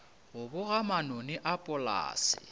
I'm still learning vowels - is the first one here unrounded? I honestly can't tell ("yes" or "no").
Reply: no